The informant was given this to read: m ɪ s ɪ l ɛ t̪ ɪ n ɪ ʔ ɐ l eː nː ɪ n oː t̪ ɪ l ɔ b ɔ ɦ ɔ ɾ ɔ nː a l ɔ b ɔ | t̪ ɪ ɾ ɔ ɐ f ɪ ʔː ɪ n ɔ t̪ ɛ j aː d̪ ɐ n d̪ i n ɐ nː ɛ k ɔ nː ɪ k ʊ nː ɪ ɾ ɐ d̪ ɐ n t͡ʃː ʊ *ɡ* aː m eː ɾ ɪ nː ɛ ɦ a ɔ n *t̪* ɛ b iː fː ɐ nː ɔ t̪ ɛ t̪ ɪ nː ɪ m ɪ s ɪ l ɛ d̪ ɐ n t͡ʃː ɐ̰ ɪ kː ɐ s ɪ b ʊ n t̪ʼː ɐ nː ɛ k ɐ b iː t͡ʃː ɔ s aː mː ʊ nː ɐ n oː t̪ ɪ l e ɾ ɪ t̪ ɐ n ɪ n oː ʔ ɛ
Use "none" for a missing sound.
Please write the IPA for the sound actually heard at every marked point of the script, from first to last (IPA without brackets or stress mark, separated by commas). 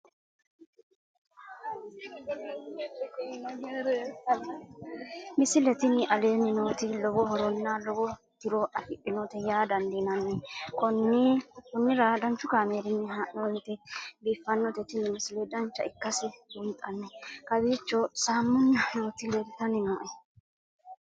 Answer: k, t̪